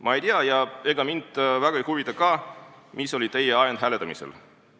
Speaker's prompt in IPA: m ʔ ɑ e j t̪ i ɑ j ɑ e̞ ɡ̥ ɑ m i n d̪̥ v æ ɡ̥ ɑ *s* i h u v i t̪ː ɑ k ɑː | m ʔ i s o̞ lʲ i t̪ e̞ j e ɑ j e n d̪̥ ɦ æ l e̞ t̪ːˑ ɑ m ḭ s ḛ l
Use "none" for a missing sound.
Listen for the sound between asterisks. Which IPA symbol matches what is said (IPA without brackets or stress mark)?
none